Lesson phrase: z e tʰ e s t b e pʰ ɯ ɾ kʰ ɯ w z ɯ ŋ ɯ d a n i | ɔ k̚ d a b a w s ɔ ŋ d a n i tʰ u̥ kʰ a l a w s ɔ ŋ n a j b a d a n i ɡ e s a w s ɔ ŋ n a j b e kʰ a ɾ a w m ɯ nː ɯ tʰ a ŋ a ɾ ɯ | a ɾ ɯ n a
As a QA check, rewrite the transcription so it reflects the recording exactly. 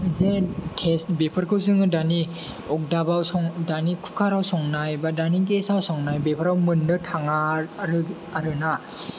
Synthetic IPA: z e tʰ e s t b e pʰ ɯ ɾ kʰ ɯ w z ɯ ŋ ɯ d a n i | ɔ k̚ d a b a w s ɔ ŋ d a n i kʰ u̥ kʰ a ɾ a w s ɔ ŋ n a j b a d a n i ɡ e s a w s ɔ ŋ n a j b e pʰ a ɾ a w m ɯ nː ɯ tʰ a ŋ a ɾ ɯ | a ɾ ɯ n a